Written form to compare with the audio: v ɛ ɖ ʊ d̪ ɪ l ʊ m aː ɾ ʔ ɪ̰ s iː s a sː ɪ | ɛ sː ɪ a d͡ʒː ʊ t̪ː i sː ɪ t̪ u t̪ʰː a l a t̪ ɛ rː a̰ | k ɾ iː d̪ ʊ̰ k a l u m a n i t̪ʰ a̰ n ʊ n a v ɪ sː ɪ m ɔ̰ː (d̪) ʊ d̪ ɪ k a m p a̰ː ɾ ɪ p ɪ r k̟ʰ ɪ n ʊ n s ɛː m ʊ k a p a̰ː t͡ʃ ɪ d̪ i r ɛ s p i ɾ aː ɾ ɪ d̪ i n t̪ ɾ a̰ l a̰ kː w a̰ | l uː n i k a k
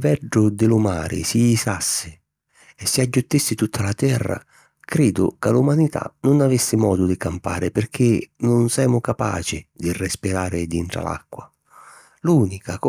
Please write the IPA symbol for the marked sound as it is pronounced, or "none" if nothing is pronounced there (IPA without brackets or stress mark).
d̪